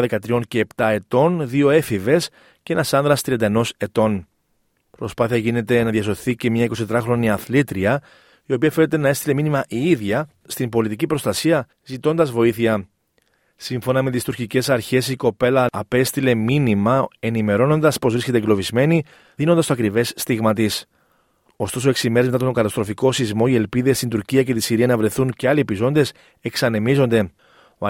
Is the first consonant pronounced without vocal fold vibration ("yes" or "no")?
no